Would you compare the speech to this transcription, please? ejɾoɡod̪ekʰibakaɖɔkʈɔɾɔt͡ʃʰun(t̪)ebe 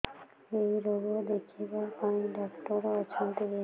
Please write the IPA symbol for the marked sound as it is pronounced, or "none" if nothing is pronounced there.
t̪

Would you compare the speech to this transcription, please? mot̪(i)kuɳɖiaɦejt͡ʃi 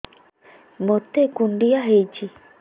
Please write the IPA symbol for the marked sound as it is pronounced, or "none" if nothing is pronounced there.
e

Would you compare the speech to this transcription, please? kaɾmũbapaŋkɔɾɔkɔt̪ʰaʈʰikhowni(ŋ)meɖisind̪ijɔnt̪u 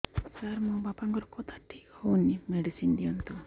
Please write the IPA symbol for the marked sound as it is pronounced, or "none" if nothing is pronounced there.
none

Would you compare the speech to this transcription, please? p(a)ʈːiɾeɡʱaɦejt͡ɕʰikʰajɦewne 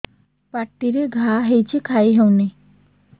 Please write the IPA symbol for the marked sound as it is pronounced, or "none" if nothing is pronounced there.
a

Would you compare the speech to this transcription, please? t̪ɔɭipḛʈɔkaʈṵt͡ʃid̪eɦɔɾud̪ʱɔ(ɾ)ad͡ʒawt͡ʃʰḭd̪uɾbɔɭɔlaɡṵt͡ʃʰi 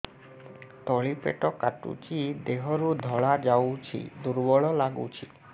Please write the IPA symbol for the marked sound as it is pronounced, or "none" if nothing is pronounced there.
ɭ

